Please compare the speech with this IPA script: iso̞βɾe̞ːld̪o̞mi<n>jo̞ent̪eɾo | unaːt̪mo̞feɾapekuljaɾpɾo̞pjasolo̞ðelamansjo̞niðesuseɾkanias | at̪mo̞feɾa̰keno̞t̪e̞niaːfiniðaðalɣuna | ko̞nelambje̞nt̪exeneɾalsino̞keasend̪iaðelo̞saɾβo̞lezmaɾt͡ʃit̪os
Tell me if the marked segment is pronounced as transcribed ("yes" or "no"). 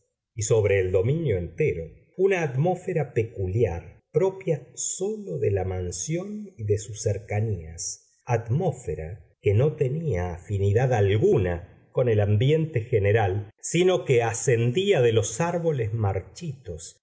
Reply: yes